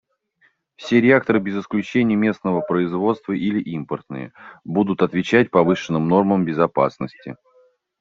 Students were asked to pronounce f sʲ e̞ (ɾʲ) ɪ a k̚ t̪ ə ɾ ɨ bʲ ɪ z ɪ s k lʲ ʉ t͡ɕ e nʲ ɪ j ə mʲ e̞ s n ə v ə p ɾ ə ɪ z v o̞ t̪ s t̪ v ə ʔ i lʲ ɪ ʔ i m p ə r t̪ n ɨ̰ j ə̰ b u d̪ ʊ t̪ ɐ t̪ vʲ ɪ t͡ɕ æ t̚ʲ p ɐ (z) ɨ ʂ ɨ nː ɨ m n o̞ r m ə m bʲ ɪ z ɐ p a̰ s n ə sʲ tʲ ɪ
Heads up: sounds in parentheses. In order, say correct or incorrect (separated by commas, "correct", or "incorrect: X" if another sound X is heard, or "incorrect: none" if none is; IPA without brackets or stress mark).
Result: correct, incorrect: v